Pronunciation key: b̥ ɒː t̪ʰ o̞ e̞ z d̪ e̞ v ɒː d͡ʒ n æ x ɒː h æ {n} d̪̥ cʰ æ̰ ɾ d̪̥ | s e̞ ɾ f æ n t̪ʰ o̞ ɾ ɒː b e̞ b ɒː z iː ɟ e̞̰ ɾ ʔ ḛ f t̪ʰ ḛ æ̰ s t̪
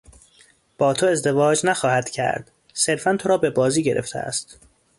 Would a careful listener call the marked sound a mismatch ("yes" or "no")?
yes